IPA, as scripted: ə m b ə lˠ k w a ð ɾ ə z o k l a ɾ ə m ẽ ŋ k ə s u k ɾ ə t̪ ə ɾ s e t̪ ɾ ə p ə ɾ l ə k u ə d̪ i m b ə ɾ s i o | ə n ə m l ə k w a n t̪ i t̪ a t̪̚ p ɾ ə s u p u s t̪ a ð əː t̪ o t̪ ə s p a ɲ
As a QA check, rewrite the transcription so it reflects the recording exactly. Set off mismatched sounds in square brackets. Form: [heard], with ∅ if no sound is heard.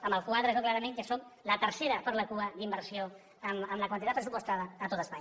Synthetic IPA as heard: ə m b ə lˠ k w a ð ɾ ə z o k l a ɾ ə m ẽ ŋ k ə s [o] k [l] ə t̪ ə ɾ s e [∅] ɾ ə p ə ɾ l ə k u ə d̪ i m b ə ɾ s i o | ə [m] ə m l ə k w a n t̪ i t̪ a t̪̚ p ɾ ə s u p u s t̪ a ð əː t̪ o t̪ ə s p a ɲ